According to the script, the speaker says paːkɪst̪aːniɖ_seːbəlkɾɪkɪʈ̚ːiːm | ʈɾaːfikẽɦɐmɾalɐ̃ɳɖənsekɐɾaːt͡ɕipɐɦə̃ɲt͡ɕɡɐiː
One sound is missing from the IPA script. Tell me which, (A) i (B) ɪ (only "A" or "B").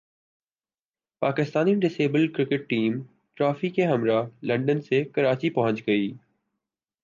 B